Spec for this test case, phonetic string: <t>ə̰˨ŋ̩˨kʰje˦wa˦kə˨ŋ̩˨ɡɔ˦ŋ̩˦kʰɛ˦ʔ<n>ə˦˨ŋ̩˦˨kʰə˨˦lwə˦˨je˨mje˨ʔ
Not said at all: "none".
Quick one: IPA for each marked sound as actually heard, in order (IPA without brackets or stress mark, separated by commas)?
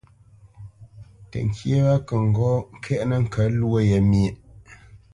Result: t, n